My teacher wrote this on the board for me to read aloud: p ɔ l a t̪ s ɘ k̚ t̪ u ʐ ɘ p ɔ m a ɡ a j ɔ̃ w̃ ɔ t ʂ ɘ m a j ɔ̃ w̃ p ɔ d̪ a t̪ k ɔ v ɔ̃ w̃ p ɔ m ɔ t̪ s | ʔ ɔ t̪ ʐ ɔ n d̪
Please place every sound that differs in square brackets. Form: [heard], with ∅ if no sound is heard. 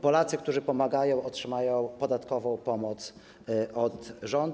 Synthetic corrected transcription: p ɔ l a t̪ s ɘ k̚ t̪ u ʐ ɘ p ɔ m a ɡ a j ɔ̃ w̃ ɔ t ʂ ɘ m a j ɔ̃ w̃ p ɔ d̪ a t̪ k ɔ v ɔ̃ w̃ p ɔ m ɔ t̪ s | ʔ ɔ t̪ ʐ ɔ n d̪

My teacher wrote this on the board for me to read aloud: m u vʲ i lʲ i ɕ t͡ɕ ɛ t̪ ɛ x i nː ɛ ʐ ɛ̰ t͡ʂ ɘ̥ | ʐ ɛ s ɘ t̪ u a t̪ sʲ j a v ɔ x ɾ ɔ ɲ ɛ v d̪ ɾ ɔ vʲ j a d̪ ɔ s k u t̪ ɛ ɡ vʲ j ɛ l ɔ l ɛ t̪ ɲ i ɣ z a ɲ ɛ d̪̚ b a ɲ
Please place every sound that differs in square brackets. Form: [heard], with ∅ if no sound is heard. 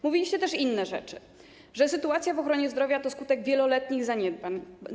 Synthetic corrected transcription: m u vʲ i lʲ i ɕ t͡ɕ ɛ t̪ ɛ [ʂ] i nː ɛ ʐ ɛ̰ t͡ʂ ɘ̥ | ʐ ɛ s ɘ t̪ u a t̪ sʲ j a v ɔ x ɾ ɔ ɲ ɛ [z] d̪ ɾ ɔ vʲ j a [t̪] ɔ s k u t̪ ɛ ɡ vʲ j ɛ l ɔ l ɛ t̪ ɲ i ɣ z a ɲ ɛ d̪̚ b a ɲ

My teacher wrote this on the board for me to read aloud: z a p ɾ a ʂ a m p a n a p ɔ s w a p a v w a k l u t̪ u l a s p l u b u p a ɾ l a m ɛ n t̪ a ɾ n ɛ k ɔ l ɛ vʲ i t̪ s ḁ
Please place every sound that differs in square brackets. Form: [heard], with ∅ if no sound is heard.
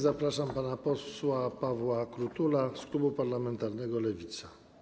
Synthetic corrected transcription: z a p ɾ a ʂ a m p a n a p ɔ s w a p a v w a k [ɾ] u t̪ u l a s [k] l u b u p a ɾ l a m ɛ n t̪ a ɾ n ɛ [ɡ] ɔ l ɛ vʲ i t̪ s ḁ

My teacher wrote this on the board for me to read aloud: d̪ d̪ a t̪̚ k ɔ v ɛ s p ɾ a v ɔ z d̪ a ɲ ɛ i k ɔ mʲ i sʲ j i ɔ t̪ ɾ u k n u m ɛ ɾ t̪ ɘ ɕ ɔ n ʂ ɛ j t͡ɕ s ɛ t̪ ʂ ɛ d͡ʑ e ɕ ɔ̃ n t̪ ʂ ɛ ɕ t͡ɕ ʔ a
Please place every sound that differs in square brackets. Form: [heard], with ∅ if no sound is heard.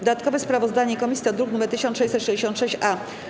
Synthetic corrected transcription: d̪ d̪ a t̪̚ k ɔ v ɛ s p ɾ a v ɔ z d̪ a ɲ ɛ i k ɔ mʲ i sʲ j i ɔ [d̪] ɾ u k n u m ɛ ɾ t̪ ɘ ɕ ɔ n ʂ ɛ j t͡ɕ s ɛ t̪ ʂ ɛ d͡ʑ e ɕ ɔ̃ n t̪ ʂ ɛ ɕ t͡ɕ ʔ a

